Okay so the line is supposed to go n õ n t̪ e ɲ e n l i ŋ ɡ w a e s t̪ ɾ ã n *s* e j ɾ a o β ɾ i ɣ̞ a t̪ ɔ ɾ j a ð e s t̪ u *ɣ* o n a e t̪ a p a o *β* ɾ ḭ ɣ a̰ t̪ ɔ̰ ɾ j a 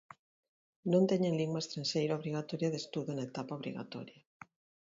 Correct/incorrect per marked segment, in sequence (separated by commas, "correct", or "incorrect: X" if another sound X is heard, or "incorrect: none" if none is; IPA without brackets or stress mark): incorrect: ʃ, incorrect: ð, correct